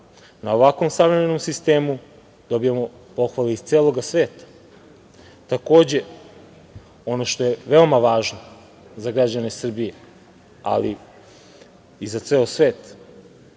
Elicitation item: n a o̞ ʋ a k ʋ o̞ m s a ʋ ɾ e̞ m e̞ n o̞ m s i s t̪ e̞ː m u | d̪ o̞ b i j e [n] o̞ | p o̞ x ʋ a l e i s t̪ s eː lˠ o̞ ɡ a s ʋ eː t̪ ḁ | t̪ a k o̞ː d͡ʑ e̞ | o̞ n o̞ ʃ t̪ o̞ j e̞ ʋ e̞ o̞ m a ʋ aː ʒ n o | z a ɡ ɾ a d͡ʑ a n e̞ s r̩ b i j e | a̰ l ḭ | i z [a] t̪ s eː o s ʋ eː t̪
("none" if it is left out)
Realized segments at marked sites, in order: m, a

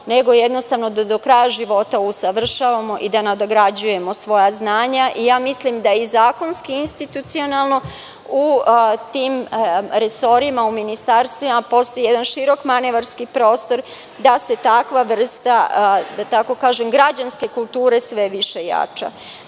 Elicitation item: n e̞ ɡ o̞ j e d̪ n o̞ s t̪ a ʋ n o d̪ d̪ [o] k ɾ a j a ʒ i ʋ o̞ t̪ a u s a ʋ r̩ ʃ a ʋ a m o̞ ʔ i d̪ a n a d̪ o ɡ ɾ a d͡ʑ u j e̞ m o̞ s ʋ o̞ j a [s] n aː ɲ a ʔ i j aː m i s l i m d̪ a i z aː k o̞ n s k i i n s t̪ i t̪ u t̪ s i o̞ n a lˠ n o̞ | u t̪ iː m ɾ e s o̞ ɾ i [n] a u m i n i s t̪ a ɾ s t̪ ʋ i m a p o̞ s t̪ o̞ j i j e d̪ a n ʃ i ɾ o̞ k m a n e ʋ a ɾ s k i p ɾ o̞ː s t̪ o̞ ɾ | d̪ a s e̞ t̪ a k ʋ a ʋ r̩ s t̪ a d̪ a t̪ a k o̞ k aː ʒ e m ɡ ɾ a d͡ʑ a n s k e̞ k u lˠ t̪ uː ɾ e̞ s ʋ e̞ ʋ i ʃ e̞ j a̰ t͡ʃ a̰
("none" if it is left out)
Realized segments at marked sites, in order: o, z, m

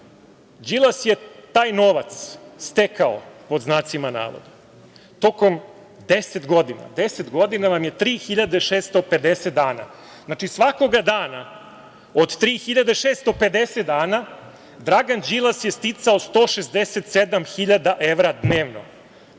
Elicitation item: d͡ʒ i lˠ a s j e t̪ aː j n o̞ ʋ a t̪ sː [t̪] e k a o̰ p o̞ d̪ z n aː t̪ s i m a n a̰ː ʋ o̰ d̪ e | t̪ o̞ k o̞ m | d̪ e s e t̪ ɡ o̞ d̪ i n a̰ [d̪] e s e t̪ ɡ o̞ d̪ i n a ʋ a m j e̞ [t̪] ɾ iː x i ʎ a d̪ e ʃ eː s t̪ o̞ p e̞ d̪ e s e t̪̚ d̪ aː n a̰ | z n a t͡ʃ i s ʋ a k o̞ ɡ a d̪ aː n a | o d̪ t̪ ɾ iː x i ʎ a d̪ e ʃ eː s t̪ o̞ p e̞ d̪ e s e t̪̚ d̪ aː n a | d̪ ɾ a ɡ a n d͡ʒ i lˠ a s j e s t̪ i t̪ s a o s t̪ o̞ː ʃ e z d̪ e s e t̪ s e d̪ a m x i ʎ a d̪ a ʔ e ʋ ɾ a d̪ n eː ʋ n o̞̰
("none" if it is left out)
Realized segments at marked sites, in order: t̪, d̪, t̪

